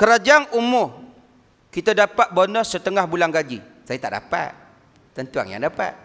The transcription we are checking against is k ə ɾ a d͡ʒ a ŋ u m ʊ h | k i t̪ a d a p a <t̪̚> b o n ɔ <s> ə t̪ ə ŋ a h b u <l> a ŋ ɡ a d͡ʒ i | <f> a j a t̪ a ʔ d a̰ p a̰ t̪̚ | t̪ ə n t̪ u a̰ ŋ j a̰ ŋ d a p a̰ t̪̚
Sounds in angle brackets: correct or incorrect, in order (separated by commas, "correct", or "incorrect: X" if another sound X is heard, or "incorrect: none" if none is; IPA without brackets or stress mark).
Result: correct, correct, correct, incorrect: s